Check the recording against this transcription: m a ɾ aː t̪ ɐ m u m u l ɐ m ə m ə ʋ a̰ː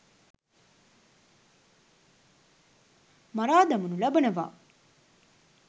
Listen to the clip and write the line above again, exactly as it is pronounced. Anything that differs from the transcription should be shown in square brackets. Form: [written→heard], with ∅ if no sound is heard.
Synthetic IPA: m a ɾ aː [t̪→d̪] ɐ m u [m→n] u l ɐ [m→b] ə [m→n] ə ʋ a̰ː